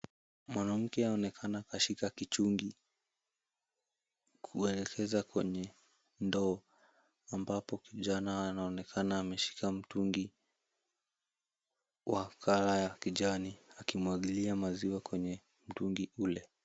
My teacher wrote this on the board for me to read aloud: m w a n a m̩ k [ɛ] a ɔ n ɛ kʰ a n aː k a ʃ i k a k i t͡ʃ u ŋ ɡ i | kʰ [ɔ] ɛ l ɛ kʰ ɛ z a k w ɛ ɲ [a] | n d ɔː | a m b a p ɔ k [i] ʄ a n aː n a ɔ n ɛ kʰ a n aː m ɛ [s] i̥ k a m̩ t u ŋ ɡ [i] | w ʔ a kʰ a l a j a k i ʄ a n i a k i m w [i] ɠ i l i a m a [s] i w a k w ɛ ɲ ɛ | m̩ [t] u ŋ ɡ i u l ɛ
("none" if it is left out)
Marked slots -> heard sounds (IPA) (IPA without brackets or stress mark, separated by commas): ɛ, u, ɛ, i, ʃ, i, a, z, t